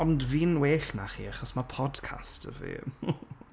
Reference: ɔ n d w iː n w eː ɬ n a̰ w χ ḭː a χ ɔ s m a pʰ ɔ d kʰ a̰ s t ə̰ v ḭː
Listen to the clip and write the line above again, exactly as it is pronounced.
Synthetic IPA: ɔ n d v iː n w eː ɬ n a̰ χ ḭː a χ ɔ s m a pʰ ɔ d kʰ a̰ s t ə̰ v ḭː

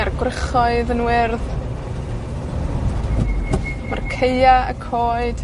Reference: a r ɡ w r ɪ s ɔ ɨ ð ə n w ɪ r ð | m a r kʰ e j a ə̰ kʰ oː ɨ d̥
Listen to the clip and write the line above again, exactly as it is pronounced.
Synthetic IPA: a r ɡ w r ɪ χ ɔ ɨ ð ə n w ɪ r ð | m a r kʰ e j a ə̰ kʰ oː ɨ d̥

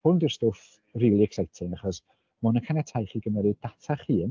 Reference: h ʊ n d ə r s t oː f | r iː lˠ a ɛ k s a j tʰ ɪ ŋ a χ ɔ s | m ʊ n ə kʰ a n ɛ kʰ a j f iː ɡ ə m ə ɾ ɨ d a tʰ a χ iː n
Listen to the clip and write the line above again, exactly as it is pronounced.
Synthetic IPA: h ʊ n d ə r s t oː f | r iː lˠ i ɛ k s a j tʰ ɪ ŋ a χ ɔ s | m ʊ n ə kʰ a n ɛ tʰ a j χ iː ɡ ə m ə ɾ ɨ d a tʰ a χ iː n

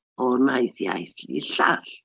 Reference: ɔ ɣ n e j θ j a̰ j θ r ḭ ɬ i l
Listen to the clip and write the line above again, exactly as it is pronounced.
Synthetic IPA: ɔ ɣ n a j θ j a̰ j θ l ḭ ɬ a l

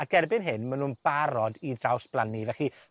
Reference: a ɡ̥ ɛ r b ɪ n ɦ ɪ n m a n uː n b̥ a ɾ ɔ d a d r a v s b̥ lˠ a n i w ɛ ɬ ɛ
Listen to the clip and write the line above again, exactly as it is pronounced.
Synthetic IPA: a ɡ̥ ɛ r b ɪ n ɦ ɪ n m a n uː n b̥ a ɾ ɔ d i d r a w s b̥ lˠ a n i v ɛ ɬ i

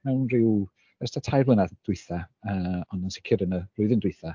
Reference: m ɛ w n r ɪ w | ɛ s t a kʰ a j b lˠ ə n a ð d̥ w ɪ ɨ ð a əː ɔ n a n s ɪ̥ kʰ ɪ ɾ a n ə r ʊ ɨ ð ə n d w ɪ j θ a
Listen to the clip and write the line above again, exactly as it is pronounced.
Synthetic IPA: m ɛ w n r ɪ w | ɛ s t a tʰ a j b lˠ ə n a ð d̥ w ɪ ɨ θ a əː ɔ n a n s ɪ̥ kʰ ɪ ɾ ə n ə r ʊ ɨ ð ə n d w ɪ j θ a

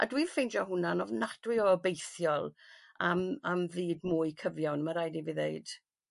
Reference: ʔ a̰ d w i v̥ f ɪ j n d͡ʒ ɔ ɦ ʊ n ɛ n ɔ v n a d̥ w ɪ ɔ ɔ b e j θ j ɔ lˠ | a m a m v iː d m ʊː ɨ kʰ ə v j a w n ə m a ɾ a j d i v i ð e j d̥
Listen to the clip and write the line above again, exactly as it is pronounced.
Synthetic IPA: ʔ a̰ d w i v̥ f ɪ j n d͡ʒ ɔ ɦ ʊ n a n ɔ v n a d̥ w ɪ ɔ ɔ b e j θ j ɔ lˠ | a m a m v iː d m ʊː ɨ kʰ ə v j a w n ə m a ɾ a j d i v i ð e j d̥

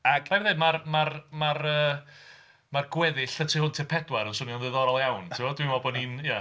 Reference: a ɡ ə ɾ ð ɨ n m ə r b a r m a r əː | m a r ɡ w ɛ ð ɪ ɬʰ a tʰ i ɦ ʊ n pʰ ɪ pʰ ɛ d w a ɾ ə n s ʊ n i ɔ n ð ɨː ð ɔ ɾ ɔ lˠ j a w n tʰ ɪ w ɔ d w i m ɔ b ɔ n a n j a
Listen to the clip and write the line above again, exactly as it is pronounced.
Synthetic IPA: a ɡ a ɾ ð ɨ n m a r m a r m a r əː | m a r ɡ w ɛ ð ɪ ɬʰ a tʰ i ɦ ʊ n tʰ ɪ pʰ ɛ d w a ɾ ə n s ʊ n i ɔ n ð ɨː ð ɔ ɾ ɔ lˠ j a w n tʰ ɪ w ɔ d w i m ɔ b ɔ n i n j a

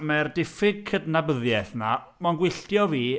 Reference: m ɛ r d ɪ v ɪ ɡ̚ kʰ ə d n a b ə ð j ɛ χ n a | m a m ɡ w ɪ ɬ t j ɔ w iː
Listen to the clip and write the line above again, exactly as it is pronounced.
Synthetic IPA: m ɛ r d ɪ f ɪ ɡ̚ kʰ ə d n a b ə ð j ɛ θ n a | m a n ɡ w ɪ ɬ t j ɔ v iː

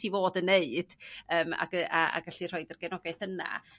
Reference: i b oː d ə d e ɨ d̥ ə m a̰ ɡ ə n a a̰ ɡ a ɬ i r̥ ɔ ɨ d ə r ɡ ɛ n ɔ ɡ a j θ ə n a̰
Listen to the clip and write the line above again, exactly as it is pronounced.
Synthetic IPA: i v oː d ə n e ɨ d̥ əː m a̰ ɡ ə a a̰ ɡ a ɬ i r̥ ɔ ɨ d ə r ɡ ɛ n ɔ ɡ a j θ ə n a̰

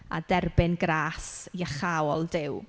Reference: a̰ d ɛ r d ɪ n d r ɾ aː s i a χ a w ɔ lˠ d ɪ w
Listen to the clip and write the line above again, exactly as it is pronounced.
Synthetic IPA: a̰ d ɛ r b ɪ n ɡ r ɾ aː s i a χ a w ɔ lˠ d ɪ w

